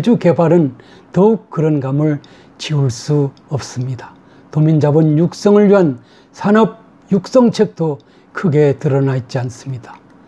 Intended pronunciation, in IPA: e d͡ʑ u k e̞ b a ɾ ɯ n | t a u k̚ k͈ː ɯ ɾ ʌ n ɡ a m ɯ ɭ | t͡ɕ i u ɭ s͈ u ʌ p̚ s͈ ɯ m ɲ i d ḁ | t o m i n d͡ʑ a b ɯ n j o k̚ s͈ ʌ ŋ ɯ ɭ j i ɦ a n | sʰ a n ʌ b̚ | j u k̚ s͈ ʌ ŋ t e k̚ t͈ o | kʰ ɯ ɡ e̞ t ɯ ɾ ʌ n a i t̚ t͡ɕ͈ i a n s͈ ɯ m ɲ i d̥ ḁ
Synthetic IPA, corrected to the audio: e d͡ʑ u k e̞ b a ɾ ɯ n | t ʌ u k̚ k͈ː ɯ ɾ ʌ n ɡ a m ɯ ɭ | t͡ɕ i u ɭ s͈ u ʌ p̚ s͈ ɯ m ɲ i d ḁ | t o m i n d͡ʑ a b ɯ n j u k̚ s͈ ʌ ŋ ɯ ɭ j i ɦ a n | sʰ a n ʌ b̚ | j u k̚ s͈ ʌ ŋ t͡ɕʰ e k̚ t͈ o | kʰ ɯ ɡ e̞ t ɯ ɾ ʌ n a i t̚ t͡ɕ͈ i a n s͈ ɯ m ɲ i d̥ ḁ